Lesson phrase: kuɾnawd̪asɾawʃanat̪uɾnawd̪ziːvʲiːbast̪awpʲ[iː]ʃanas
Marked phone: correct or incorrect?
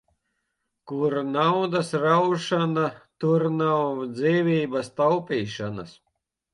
correct